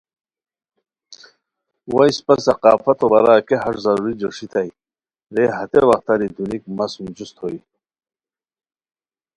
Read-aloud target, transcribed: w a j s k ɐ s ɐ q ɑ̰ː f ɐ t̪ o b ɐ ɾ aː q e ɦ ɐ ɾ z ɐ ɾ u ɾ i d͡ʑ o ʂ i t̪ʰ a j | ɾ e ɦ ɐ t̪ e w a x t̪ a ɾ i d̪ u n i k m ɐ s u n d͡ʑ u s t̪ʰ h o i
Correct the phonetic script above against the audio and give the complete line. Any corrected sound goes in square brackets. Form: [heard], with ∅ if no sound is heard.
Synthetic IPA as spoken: w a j s [p] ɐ s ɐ q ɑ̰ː f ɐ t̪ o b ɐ ɾ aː [k] e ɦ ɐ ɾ z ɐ ɾ u ɾ i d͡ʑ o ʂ i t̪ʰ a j | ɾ e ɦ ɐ t̪ e w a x t̪ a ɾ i d̪ u n i k m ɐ s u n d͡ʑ u s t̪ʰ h o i